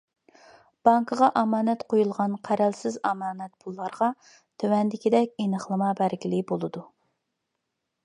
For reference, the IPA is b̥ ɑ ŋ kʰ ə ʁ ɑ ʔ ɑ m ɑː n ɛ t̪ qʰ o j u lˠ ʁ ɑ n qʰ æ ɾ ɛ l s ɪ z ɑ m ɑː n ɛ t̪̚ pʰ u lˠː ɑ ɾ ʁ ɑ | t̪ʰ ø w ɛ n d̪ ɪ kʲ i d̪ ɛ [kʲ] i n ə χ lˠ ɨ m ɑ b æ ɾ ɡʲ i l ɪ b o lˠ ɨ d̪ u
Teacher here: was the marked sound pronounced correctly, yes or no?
yes